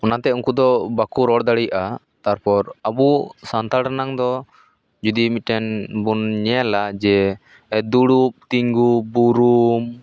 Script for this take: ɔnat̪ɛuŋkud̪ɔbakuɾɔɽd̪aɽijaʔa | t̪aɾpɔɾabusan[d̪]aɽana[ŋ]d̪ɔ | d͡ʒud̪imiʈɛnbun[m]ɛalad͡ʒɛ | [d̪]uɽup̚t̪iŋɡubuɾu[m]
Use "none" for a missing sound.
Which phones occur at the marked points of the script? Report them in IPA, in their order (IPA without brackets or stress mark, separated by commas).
t̪, ŋ, ɲ, d̪, m